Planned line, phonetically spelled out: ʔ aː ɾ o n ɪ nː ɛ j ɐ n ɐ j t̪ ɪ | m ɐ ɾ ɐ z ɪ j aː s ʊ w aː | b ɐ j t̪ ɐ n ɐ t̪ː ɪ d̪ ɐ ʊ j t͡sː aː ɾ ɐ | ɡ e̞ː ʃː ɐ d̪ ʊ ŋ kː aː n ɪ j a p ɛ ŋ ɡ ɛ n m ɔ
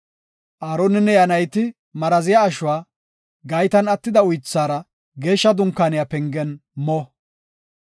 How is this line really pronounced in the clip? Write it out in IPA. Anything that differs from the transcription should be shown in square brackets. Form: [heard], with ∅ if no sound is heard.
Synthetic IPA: ʔ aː ɾ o n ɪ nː ɛ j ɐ n ɐ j t̪ ɪ | m ɐ ɾ ɐ z ɪ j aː [ʃ] ʊ w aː | [ɡ] ɐ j t̪ ɐ n ɐ t̪ː ɪ d̪ ɐ ʊ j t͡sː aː ɾ ɐ | ɡ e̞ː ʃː ɐ d̪ ʊ ŋ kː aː n ɪ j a p ɛ ŋ ɡ ɛ n m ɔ